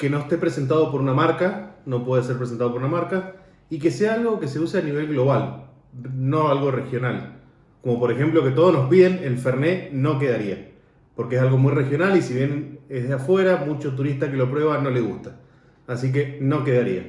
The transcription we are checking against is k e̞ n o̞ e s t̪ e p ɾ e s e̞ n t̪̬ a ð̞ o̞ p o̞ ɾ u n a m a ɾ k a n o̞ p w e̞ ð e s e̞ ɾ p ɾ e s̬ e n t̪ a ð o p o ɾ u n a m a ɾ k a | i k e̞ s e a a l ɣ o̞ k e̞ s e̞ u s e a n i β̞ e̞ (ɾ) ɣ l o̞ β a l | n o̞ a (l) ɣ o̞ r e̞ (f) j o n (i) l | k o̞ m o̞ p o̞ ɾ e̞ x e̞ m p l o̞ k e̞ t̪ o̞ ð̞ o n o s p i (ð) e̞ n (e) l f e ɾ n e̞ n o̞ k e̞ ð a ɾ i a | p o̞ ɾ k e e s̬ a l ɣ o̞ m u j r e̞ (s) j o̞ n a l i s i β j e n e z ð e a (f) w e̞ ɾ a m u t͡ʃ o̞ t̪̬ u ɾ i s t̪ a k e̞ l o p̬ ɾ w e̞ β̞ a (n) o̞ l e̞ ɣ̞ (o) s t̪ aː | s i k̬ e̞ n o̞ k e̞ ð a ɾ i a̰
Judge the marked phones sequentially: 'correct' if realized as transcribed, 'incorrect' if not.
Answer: incorrect: l, correct, incorrect: x, incorrect: a, correct, correct, incorrect: x, correct, correct, incorrect: u

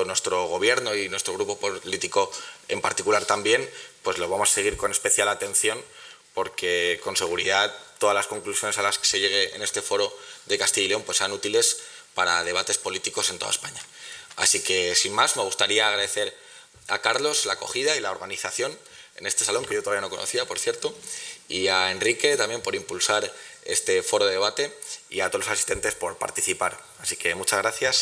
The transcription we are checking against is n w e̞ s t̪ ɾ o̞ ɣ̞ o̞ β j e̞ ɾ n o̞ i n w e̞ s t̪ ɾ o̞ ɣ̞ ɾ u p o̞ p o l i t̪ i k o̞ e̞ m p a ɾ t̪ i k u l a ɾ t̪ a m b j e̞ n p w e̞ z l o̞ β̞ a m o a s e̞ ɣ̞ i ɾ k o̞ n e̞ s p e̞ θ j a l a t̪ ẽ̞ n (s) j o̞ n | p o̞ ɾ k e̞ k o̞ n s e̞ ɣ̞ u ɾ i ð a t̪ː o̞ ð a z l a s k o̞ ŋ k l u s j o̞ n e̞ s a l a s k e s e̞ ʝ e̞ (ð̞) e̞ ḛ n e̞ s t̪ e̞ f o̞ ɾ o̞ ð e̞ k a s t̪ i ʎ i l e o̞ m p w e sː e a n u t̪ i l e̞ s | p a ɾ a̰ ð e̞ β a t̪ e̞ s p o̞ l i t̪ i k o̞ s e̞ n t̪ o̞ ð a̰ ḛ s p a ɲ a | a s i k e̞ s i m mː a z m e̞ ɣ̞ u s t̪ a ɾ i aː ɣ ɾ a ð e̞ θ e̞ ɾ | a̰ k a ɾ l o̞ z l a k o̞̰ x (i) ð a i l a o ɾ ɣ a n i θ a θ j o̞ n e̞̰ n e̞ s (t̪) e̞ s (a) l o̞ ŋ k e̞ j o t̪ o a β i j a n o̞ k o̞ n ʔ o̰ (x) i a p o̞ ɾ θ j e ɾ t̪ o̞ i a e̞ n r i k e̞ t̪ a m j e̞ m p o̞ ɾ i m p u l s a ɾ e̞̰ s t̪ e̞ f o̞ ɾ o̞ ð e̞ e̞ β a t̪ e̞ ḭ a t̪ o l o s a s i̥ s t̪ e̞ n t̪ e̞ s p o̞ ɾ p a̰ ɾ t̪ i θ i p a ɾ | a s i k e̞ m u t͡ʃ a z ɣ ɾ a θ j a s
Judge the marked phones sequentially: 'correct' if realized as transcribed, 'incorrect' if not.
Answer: incorrect: θ, incorrect: ɣ̞, correct, correct, correct, incorrect: θ

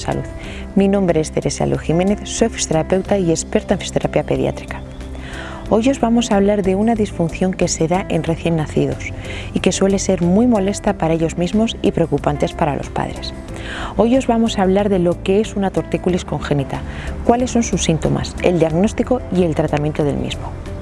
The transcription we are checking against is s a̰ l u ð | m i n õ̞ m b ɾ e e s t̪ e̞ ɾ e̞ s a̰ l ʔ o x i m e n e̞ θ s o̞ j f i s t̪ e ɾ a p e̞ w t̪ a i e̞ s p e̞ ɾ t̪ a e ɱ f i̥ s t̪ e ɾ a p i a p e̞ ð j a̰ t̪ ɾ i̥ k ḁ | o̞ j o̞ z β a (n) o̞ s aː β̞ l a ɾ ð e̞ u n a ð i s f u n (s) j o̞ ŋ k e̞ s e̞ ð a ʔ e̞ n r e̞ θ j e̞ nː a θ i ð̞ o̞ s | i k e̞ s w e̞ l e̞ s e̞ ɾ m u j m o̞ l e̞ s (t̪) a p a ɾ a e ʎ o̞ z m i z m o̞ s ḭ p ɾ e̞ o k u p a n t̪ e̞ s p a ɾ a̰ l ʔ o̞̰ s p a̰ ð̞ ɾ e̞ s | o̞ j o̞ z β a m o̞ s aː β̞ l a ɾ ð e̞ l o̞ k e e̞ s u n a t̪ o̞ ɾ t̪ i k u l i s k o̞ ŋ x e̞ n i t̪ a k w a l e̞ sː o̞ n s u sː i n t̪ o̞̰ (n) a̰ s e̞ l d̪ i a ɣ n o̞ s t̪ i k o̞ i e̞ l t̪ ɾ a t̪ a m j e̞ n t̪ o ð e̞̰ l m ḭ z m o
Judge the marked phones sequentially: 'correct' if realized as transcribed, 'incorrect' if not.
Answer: incorrect: m, incorrect: θ, correct, incorrect: m

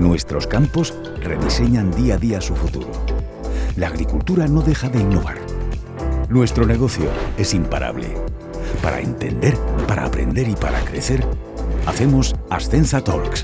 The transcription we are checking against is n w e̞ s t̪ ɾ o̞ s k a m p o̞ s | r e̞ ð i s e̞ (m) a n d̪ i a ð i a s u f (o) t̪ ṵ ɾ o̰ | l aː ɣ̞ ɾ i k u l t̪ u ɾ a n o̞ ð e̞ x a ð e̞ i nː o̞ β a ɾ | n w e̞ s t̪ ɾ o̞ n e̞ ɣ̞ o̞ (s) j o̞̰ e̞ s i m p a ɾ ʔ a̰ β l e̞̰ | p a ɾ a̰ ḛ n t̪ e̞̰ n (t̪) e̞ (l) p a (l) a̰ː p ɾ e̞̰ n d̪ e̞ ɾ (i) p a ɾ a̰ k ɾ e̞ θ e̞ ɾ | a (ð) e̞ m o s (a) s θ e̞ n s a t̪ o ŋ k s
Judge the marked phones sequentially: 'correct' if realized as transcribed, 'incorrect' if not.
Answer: incorrect: ɲ, incorrect: u, incorrect: θ, incorrect: d̪, incorrect: ɾ, incorrect: ɾ, correct, incorrect: θ, correct

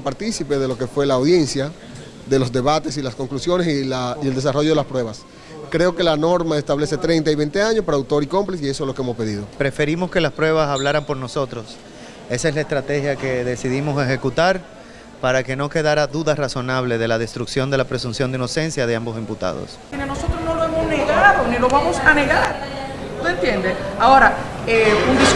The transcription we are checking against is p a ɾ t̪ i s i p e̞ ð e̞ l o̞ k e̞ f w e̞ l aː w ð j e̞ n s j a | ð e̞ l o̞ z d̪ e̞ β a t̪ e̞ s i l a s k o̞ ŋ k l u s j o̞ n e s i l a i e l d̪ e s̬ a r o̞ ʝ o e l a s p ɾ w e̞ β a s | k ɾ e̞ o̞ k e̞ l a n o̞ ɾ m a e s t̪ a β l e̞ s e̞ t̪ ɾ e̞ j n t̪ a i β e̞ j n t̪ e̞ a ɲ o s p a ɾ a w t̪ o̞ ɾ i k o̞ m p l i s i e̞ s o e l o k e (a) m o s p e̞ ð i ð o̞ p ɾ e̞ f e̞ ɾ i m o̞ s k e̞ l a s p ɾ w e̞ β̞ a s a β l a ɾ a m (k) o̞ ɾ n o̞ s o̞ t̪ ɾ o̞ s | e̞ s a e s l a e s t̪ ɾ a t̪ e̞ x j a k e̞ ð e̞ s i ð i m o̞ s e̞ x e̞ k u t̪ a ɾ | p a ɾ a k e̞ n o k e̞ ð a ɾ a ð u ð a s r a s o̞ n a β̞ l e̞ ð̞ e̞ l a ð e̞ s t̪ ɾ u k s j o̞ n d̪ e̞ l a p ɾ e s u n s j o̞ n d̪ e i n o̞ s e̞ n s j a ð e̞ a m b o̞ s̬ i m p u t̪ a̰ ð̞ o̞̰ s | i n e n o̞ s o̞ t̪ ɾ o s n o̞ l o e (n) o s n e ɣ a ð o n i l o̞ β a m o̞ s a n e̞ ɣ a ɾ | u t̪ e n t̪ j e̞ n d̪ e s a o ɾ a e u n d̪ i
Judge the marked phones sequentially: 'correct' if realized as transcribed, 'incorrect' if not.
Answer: incorrect: e, incorrect: p, incorrect: m

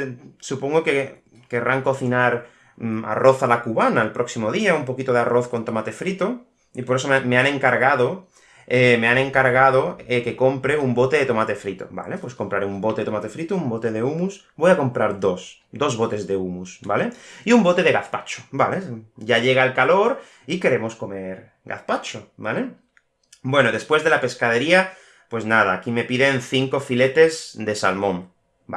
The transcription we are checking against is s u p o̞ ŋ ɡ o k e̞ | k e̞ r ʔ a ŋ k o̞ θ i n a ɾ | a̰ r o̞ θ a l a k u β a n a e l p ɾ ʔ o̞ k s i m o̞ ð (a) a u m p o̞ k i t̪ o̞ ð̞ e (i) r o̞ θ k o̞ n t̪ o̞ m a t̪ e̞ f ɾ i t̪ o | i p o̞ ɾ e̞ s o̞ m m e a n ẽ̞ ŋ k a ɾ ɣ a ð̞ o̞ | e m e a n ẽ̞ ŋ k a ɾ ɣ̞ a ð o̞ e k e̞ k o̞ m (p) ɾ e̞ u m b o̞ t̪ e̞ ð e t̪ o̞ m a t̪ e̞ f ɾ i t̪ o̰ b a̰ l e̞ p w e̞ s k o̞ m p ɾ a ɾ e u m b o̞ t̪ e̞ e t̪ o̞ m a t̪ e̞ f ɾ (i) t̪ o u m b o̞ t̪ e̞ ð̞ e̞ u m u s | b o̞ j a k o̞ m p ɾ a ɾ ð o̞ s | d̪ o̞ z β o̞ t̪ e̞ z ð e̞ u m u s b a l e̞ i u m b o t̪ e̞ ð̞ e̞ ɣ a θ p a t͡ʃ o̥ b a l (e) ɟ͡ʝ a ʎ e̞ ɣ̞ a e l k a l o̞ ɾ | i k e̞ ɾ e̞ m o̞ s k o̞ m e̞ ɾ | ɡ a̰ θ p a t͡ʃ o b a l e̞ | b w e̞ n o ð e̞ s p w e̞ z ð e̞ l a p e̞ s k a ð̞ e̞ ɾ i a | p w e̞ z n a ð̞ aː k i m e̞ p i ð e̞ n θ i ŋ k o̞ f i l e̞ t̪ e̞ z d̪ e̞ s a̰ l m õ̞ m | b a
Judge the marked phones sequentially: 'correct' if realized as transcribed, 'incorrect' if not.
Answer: incorrect: i, incorrect: a, correct, correct, correct

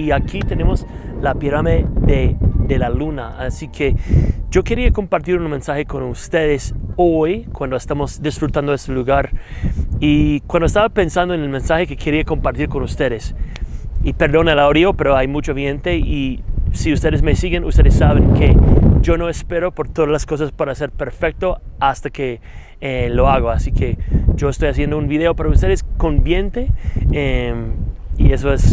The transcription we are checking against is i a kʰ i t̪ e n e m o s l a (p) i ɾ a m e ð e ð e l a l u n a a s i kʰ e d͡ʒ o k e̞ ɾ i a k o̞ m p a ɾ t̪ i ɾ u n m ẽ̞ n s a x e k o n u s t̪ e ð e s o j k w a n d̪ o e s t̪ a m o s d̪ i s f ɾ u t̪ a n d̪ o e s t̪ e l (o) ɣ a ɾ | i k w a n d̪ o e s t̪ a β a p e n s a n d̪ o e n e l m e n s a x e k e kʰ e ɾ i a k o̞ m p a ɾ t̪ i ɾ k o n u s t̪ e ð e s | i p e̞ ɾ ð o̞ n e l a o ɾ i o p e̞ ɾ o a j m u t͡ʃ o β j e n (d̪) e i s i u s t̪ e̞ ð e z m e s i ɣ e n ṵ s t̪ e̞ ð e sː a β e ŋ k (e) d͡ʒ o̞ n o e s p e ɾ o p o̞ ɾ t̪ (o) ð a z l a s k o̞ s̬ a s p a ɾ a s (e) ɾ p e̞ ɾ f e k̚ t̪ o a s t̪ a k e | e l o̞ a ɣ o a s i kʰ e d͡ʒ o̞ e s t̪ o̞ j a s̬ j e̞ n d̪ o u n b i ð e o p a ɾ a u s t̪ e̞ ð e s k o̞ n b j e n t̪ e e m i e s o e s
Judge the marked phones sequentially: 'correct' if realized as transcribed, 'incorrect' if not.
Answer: correct, incorrect: u, incorrect: t̪, correct, correct, correct

